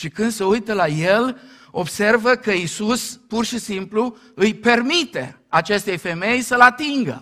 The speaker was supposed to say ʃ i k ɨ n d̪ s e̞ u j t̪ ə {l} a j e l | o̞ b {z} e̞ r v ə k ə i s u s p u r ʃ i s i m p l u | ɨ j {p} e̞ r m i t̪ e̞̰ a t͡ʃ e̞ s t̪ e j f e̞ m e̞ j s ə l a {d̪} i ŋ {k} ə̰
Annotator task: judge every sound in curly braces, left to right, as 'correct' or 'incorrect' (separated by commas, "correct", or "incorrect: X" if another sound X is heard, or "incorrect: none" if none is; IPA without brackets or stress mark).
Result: correct, incorrect: s, correct, incorrect: t̪, incorrect: ɡ